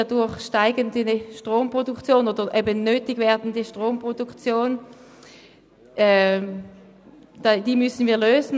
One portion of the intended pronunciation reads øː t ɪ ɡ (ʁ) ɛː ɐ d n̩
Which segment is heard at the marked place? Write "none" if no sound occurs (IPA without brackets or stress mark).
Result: v